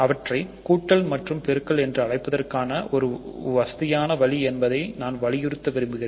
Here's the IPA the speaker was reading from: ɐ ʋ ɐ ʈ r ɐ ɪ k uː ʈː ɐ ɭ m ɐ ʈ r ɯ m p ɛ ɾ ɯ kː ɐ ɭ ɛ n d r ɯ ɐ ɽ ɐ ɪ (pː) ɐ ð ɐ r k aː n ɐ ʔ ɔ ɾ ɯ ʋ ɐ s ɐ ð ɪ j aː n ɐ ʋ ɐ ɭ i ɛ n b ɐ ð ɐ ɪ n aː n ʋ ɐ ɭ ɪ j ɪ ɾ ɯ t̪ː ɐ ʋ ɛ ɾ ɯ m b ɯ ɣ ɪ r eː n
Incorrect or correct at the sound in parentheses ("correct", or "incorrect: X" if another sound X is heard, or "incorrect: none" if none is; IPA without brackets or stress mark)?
correct